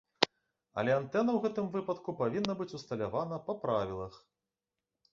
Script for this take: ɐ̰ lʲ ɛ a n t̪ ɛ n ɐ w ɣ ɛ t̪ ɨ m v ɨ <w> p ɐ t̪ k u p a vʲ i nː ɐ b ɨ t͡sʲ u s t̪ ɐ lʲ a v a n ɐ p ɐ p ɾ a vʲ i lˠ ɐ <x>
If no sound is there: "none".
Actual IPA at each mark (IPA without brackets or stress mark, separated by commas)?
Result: none, x